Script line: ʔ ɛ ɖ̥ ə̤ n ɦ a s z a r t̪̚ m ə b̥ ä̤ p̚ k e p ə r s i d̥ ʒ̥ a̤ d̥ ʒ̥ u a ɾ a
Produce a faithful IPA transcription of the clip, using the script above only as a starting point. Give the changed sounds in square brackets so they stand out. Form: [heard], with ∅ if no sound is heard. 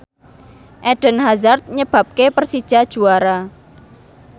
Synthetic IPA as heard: ʔ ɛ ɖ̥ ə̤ n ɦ a [∅] z a r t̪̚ [ɲ] ə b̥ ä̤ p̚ k e p ə r s i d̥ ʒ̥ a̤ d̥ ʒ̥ u a ɾ a